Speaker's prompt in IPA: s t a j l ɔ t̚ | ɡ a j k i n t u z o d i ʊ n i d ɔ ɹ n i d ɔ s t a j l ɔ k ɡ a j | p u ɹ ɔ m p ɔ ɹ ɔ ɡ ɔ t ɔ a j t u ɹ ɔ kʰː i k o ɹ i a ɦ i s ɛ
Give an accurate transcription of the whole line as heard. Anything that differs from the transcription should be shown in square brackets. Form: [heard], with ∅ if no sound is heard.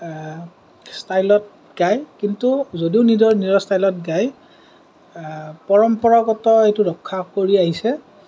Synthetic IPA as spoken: s t a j l ɔ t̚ | ɡ a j k i n t u z o d i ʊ n i d ɔ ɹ n i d ɔ s t a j l ɔ [t] ɡ a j | p [ɔ] ɹ ɔ m p ɔ ɹ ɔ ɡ ɔ t ɔ [e] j t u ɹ ɔ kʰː [a] k o ɹ i a ɦ i s ɛ